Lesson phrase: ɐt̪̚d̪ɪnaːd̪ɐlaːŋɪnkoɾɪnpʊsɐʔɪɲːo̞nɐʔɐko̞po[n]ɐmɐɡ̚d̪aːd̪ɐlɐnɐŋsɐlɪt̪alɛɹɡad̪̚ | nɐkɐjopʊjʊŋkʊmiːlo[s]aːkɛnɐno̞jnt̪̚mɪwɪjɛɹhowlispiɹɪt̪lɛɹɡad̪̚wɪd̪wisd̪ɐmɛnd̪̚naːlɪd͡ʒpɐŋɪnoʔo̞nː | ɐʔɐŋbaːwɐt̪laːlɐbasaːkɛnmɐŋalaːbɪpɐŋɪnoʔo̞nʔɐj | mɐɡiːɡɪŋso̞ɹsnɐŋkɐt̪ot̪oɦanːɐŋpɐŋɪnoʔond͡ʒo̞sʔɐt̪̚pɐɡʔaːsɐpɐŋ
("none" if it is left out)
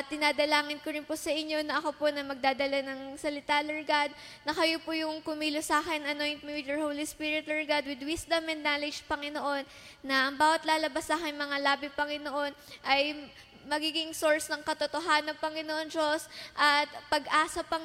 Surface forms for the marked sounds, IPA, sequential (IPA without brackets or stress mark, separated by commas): n, s